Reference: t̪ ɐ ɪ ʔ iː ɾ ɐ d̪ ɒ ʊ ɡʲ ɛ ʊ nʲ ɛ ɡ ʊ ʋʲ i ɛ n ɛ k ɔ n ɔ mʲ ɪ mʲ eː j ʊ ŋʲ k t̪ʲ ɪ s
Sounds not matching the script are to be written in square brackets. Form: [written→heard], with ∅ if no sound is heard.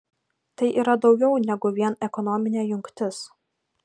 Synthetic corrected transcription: t̪ ɐ ɪ ʔ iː ɾ ɐ d̪ ɒ ʊ ɡʲ ɛ ʊ nʲ ɛ ɡ ʊ ʋʲ i ɛ n ɛ k ɔ n ɔ mʲ ɪ [mʲ→nʲ] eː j ʊ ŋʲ k t̪ʲ ɪ s